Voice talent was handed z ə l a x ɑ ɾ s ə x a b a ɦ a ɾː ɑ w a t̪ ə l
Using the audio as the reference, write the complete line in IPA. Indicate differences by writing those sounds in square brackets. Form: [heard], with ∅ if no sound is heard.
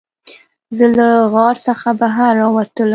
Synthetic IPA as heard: z ə l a [ɣ] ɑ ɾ s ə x a b a ɦ a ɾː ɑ w a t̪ ə l